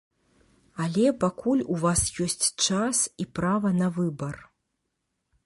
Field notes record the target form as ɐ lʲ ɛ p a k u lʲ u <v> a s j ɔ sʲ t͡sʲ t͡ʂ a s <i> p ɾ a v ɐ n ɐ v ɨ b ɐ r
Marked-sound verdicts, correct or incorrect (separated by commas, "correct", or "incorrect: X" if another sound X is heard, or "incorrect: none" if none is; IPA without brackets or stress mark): correct, correct